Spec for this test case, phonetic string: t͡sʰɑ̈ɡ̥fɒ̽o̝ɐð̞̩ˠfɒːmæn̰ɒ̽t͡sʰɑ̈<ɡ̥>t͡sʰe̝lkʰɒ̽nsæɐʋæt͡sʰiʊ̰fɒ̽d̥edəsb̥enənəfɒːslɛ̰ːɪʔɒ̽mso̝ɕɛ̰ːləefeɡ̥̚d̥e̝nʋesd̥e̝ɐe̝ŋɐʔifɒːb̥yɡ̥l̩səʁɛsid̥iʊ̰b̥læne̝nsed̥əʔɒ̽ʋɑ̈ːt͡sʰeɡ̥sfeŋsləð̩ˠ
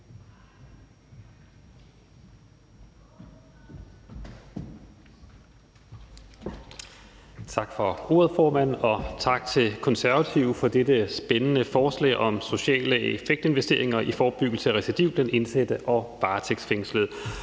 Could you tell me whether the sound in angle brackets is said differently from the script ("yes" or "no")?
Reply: no